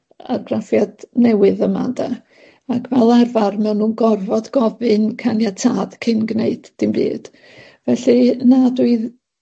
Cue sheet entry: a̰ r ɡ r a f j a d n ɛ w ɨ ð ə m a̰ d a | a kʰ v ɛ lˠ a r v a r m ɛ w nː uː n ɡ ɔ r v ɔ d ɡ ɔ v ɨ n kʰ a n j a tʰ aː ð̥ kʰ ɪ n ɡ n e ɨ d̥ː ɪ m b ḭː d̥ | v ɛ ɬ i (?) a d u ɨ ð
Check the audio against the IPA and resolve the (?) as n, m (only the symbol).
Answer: n